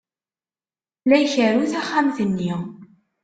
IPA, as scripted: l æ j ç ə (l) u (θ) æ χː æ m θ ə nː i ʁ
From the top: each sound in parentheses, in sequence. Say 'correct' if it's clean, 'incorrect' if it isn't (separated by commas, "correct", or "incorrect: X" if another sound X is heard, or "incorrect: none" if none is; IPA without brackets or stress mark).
incorrect: ɾ, correct